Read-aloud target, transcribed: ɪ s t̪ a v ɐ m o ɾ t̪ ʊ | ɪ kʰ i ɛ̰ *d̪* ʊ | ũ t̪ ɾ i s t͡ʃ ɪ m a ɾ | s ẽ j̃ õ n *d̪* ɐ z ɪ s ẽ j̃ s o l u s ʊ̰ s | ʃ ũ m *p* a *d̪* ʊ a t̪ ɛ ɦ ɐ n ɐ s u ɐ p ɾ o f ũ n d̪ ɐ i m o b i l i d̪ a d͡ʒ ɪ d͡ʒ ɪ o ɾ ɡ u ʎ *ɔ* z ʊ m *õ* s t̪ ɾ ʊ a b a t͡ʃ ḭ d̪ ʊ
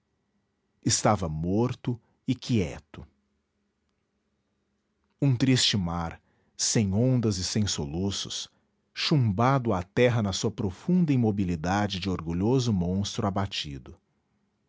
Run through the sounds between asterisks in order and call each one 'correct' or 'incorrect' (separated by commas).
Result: incorrect, correct, incorrect, correct, incorrect, correct